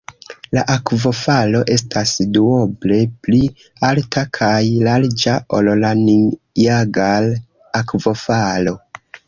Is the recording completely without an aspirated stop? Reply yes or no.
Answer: no